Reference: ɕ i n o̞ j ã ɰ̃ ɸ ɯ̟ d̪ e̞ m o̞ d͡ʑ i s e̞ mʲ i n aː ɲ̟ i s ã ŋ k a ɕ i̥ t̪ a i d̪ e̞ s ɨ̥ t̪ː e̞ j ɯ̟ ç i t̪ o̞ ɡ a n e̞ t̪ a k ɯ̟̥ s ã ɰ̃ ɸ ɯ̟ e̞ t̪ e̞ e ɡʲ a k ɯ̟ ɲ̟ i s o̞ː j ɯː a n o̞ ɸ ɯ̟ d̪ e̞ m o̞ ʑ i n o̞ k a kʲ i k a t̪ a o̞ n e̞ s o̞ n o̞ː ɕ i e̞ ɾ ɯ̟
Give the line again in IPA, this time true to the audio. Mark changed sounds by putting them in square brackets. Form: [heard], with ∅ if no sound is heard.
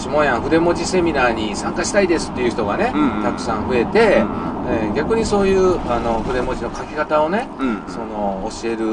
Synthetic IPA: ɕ i [m] o̞ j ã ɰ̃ ɸ ɯ̟ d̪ e̞ m o̞ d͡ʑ i s e̞ mʲ i n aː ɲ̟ i s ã ŋ k a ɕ i̥ t̪ a i d̪ e̞ s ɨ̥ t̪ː e̞ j ɯ̟ ç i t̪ o̞ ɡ a n e̞ t̪ a k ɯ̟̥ s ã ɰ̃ ɸ ɯ̟ e̞ t̪ e̞ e ɡʲ a k ɯ̟ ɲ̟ i s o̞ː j ɯː a n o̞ ɸ ɯ̟ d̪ e̞ m o̞ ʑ i n o̞ k a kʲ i k a t̪ a o̞ n e̞ s o̞ n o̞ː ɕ i e̞ ɾ ɯ̟